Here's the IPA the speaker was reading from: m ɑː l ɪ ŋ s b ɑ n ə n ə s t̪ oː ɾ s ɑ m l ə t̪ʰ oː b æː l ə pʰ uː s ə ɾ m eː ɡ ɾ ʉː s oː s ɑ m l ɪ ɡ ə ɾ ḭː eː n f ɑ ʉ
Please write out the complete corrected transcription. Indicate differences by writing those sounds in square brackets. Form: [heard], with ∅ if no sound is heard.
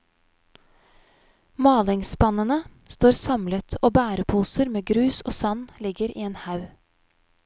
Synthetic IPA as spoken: m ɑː l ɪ ŋ s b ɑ n ə n ə s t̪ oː ɾ s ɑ m l ə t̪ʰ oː b æː [ɾ] ə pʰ uː s ə ɾ m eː ɡ ɾ ʉː s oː s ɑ [n] l ɪ ɡ ə ɾ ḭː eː n [h] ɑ ʉ